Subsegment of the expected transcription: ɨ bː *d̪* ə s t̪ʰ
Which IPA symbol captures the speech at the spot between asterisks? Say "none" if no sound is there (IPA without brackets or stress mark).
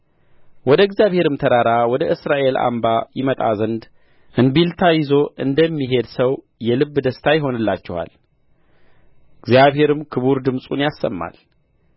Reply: d̪